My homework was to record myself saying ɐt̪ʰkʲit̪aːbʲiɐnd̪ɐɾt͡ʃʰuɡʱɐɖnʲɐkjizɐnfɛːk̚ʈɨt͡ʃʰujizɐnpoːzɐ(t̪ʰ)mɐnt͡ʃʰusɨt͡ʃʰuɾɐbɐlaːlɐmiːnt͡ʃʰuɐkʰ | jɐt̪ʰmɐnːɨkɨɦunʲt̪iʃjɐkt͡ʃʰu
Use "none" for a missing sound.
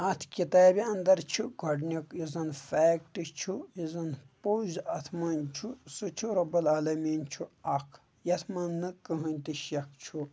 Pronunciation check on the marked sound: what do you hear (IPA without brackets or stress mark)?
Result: t̪ʰ